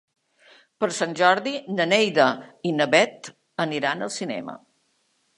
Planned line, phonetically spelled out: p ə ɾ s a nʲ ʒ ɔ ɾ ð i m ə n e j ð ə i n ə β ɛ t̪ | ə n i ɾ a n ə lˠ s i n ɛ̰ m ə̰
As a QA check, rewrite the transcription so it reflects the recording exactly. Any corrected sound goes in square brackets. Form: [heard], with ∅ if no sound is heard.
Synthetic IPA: p ə ɾ s a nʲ ʒ ɔ ɾ ð i [n] ə n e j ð ə i n ə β ɛ t̪ | ə n i ɾ a n ə lˠ s i n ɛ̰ m ə̰